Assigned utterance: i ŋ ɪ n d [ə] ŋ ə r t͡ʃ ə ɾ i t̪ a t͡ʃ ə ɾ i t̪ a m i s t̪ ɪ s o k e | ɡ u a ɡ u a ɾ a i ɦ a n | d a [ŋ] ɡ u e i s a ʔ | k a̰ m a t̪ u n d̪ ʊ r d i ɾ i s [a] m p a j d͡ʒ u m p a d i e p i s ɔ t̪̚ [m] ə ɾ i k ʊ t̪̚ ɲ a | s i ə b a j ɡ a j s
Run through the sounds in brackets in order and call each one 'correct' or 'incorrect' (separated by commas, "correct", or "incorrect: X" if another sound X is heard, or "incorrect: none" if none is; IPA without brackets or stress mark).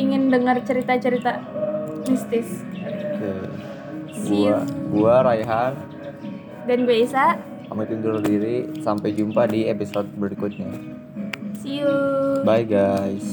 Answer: correct, incorrect: n, correct, incorrect: b